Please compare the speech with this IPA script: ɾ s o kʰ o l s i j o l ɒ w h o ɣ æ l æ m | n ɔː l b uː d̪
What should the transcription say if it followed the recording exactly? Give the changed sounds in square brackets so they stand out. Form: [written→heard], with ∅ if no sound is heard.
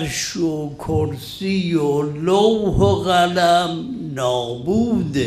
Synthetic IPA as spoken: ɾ [s→ʃ] o kʰ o [l→ɾ] s i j o l [ɒ→o] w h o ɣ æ l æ m | n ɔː [l→∅] b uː d̪